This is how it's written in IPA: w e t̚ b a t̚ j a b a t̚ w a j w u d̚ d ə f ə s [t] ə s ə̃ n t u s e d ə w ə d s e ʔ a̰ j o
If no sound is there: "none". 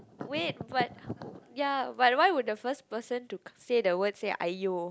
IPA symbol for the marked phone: p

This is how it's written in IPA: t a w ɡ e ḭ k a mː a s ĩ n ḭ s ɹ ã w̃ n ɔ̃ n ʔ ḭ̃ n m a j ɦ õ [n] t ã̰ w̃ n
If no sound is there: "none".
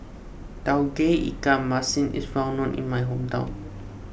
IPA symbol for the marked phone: m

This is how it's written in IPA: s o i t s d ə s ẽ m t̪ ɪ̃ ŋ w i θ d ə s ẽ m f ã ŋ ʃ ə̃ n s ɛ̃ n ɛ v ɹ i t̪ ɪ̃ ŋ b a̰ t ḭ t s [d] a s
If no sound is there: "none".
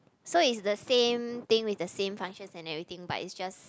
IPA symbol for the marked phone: d͡ʒ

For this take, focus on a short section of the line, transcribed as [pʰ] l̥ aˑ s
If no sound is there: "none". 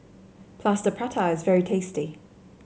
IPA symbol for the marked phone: pʰ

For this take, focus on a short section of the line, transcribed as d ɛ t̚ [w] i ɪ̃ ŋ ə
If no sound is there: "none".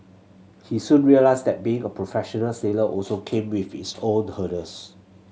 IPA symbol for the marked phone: b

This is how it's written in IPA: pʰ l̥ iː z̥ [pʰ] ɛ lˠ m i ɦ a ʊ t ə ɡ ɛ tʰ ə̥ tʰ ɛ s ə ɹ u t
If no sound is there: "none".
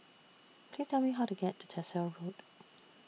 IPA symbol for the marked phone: tʰ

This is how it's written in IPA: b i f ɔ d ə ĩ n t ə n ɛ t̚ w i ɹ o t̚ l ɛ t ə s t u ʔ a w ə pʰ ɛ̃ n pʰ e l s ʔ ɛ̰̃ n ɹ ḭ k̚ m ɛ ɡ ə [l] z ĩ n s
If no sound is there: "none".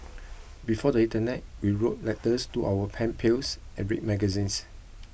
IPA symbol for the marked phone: none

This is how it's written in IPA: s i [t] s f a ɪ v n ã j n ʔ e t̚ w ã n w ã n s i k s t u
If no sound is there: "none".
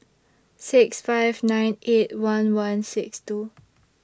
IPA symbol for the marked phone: k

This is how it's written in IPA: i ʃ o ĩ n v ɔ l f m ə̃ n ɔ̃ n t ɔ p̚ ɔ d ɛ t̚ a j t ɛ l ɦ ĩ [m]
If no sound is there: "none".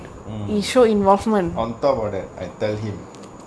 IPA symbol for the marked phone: m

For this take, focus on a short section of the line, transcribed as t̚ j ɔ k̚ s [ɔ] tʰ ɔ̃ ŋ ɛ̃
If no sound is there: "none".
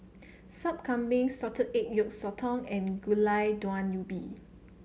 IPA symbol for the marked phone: ɔ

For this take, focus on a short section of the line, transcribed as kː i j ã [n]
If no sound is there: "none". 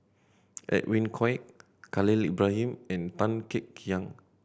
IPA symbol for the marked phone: ŋ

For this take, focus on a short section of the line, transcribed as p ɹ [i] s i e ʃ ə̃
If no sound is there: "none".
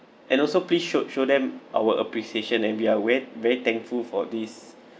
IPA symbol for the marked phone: i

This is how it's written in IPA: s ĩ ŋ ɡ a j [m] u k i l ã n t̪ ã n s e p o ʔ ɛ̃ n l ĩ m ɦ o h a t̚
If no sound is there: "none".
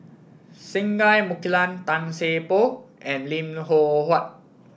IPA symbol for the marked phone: m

